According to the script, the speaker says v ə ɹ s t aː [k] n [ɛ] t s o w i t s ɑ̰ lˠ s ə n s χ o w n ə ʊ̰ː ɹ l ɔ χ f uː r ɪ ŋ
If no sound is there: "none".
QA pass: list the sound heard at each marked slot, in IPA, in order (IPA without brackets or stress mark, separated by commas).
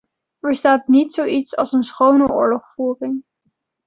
t, i